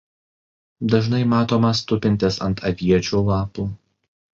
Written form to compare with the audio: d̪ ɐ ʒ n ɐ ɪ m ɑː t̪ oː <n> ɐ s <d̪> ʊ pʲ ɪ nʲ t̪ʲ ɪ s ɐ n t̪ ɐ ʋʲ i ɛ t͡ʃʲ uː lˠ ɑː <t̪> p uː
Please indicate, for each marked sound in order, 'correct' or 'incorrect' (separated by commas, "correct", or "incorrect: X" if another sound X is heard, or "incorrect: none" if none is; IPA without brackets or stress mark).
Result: incorrect: m, incorrect: t̪, incorrect: none